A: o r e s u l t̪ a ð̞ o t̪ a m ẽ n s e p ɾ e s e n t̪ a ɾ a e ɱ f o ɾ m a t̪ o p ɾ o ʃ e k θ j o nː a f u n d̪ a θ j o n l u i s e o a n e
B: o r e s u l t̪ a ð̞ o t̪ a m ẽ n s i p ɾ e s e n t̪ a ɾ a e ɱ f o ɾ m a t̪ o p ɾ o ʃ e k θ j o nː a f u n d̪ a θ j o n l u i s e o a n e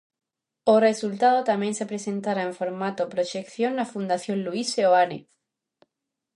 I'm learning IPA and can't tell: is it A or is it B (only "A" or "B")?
A